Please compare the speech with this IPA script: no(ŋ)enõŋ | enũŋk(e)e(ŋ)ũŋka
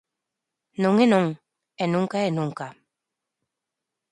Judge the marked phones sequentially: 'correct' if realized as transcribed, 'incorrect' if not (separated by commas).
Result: correct, incorrect, incorrect